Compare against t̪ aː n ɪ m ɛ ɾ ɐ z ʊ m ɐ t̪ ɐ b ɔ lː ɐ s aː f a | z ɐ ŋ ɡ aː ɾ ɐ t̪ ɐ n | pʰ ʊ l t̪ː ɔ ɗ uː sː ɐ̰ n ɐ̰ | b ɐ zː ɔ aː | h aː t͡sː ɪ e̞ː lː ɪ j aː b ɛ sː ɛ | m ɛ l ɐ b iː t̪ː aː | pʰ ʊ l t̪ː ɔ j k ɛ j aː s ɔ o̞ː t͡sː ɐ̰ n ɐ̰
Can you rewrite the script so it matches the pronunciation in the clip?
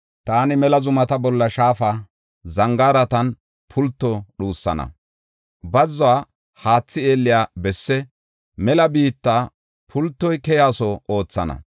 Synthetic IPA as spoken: t̪ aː n ɪ m ɛ l ɐ z ʊ m ɐ t̪ ɐ b ɔ lː ɐ ʃ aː f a | z ɐ ŋ ɡ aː ɾ ɐ t̪ ɐ n | pʰ ʊ l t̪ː ɔ ɗ uː sː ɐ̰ n ɐ̰ | b ɐ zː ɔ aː | h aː t͡sː ɪ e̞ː lː ɪ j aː b ɛ sː ɛ | m ɛ l ɐ b iː t̪ː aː | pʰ ʊ l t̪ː ɔ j k ɛ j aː s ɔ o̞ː t͡sː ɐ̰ n ɐ̰